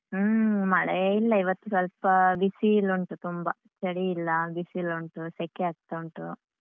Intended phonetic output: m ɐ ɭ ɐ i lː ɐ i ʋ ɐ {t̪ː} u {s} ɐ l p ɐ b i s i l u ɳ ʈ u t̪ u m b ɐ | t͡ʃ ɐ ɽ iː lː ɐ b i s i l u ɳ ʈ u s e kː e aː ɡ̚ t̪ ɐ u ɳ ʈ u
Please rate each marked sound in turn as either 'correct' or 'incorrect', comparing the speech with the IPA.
correct, correct

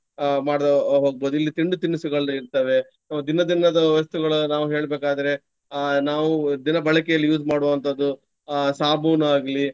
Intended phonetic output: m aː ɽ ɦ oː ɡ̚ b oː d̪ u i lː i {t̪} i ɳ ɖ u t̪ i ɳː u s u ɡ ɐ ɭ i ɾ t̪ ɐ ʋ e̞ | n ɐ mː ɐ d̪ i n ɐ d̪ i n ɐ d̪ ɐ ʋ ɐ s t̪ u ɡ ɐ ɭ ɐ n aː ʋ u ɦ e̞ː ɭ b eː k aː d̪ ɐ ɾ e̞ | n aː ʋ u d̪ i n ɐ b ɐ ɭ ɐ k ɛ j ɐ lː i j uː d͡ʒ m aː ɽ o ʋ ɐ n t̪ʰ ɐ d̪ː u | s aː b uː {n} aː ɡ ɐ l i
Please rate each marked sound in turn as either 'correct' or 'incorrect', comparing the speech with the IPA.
correct, correct

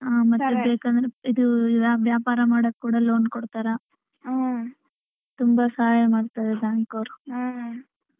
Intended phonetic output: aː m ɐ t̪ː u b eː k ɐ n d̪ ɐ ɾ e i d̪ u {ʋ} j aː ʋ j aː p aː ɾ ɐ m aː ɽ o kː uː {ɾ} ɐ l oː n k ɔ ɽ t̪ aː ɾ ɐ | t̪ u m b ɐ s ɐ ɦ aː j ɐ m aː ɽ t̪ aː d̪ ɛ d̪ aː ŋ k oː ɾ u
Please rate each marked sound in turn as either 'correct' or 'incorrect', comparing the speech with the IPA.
correct, incorrect

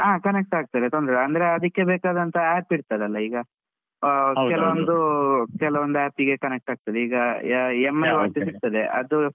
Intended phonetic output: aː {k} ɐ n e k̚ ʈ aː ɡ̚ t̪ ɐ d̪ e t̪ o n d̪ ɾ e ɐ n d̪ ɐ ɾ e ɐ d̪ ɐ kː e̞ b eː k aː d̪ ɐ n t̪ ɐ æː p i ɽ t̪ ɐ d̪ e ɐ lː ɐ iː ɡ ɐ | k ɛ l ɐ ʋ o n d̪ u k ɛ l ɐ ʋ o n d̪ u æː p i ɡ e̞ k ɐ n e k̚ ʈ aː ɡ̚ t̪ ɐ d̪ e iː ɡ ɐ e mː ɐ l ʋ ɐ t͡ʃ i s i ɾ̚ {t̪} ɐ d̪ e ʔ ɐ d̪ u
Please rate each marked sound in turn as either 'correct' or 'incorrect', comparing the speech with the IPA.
correct, correct

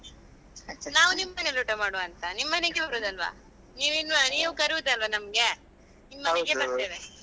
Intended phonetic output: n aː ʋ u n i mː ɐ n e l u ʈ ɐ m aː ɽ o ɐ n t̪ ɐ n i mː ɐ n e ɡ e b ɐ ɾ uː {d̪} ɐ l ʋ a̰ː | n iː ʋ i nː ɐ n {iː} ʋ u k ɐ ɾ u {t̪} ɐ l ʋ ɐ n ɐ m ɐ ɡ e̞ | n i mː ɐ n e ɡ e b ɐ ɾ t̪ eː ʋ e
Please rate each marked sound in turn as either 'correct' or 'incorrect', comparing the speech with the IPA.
correct, correct, incorrect

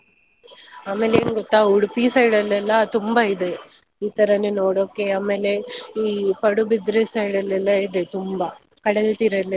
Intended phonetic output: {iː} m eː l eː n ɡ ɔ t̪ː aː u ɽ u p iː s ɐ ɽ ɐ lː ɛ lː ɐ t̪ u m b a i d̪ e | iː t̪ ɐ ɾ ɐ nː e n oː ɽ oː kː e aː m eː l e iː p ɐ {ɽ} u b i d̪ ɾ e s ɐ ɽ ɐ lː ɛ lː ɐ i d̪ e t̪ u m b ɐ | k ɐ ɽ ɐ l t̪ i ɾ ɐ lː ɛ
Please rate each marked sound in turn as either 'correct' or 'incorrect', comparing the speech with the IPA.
incorrect, correct

